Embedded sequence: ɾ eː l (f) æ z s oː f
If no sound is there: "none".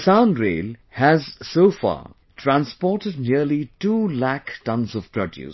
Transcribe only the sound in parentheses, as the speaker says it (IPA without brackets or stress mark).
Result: h